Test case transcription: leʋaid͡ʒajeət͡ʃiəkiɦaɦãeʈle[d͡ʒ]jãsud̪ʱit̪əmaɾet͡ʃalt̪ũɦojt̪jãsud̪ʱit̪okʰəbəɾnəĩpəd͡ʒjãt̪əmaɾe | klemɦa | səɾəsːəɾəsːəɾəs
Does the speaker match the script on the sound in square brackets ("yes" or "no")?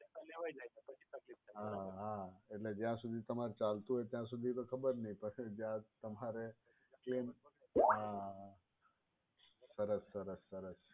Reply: yes